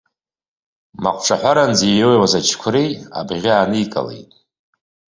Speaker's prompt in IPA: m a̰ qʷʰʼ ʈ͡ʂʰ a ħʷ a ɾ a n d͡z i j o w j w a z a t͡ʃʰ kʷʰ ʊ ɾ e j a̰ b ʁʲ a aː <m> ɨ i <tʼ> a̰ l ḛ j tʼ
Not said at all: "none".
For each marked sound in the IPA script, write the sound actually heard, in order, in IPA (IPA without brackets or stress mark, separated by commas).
n, kʼ